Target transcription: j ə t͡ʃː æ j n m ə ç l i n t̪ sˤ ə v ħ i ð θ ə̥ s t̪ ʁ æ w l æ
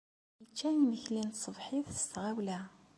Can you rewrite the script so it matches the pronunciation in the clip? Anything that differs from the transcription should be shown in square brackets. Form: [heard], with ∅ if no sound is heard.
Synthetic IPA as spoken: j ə t͡ʃː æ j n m ə ç l i n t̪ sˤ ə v ħ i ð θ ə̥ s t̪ ʁ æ w l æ